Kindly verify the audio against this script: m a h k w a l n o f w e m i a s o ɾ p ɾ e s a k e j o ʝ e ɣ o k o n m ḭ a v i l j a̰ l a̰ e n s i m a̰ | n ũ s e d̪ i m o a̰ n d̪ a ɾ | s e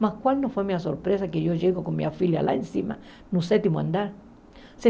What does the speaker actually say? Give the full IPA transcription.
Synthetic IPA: m a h k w a l n o f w e m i a s o ɾ p ɾ e s a k e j o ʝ e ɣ o k o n m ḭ a f i l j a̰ l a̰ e n s i m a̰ | n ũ s e t̪ i m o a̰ n d̪ a ɾ | s e